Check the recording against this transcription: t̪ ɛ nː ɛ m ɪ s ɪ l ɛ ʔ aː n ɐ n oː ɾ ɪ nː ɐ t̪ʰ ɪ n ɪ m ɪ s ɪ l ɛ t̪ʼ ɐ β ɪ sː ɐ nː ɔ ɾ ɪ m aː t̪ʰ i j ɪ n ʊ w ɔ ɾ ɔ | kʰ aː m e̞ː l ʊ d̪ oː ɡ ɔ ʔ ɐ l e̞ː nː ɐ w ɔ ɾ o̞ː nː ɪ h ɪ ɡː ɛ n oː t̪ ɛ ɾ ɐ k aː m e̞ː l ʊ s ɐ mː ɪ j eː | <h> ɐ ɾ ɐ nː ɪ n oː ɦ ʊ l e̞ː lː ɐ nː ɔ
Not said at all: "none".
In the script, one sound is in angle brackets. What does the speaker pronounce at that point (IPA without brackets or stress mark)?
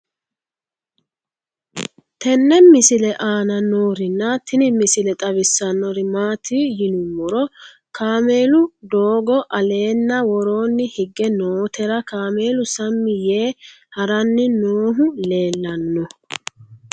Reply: h